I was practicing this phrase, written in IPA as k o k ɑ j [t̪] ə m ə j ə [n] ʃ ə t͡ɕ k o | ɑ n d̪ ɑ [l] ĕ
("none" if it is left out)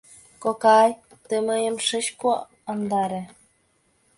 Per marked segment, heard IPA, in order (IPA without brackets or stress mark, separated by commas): t̪, m, ɾ